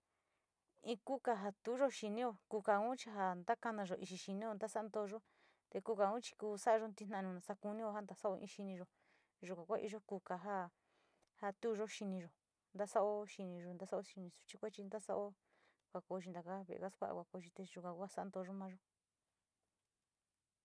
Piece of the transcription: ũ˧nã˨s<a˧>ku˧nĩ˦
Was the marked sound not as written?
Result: no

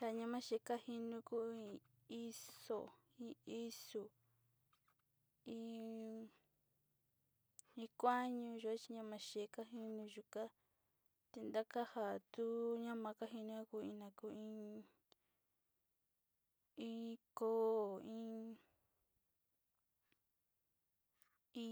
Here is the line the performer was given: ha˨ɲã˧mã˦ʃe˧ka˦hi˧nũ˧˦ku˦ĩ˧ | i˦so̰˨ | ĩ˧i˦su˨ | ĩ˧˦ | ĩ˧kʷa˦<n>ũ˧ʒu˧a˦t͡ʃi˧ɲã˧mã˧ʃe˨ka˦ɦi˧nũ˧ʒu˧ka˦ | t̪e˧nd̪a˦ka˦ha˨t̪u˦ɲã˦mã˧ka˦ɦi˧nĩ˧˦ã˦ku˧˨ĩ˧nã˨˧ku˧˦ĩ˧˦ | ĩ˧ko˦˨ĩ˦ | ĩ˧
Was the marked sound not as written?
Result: yes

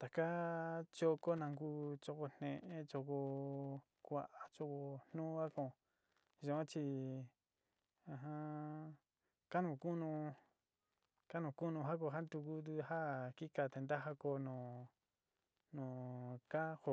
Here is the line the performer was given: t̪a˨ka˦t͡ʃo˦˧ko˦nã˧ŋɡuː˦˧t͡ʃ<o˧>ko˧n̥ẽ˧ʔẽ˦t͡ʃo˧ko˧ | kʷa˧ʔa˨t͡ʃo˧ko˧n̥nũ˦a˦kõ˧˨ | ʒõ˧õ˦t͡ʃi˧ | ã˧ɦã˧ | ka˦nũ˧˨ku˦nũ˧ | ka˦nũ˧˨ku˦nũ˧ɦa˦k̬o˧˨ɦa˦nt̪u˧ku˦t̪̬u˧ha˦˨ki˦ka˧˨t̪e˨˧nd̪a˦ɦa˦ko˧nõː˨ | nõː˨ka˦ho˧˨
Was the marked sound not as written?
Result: no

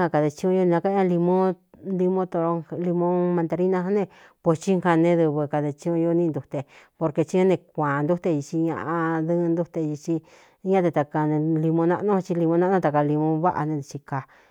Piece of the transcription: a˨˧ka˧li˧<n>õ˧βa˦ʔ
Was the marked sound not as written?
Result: yes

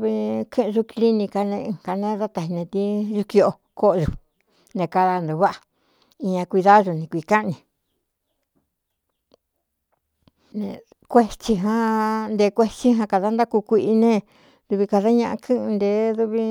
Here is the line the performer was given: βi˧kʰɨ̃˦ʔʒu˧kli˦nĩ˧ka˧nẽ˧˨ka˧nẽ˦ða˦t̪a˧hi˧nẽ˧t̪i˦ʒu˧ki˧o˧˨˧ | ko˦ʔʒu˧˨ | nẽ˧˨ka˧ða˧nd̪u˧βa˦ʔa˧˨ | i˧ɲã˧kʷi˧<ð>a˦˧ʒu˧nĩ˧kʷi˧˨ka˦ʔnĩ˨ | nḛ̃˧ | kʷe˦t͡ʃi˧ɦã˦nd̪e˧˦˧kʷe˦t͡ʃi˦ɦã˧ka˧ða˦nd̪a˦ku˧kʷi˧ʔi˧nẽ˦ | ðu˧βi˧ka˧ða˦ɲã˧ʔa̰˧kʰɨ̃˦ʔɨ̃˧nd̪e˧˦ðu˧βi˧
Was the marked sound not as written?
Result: no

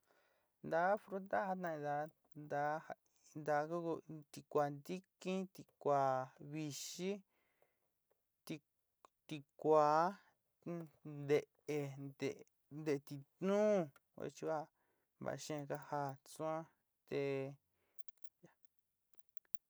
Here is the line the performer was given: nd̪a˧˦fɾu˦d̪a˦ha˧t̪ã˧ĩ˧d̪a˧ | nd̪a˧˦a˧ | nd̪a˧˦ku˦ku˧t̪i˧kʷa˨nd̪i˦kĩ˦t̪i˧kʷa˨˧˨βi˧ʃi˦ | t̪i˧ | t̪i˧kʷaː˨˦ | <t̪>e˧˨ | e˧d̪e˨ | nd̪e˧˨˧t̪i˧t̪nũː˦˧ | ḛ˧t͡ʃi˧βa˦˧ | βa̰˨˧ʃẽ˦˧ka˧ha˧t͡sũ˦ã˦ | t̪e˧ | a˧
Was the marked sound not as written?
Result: yes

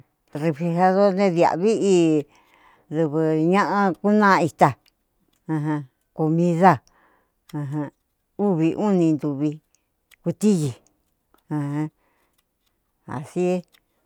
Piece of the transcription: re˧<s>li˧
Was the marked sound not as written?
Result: yes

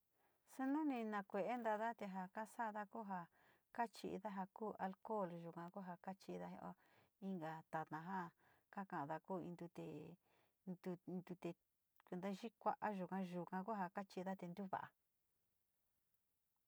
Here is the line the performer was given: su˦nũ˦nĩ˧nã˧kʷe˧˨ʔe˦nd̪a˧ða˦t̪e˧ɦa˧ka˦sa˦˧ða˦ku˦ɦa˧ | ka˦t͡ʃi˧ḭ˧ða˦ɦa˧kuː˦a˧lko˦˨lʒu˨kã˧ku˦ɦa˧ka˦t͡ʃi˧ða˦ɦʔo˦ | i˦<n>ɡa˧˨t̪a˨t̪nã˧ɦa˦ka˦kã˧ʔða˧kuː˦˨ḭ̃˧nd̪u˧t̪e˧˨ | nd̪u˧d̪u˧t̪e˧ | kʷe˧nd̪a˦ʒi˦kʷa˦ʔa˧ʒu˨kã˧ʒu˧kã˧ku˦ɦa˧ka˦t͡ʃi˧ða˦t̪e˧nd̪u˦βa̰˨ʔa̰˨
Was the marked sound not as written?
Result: yes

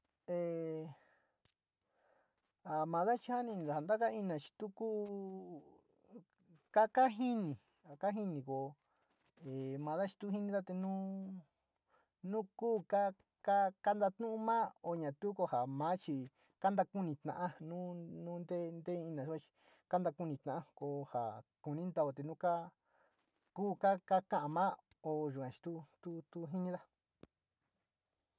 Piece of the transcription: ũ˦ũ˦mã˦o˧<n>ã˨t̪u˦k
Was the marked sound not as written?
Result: yes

